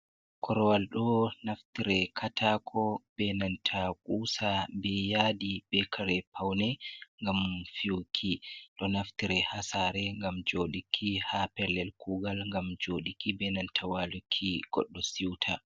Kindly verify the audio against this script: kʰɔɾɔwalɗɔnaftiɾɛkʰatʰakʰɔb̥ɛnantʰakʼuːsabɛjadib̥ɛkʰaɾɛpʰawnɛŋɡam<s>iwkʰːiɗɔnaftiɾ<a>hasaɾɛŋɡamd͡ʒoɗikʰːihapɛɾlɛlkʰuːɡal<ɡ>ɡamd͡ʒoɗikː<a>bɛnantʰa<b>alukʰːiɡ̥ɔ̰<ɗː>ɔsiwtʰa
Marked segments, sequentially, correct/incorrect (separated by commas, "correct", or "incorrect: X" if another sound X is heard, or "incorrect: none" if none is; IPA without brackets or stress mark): incorrect: f, incorrect: ɛ, incorrect: ŋ, incorrect: i, incorrect: w, correct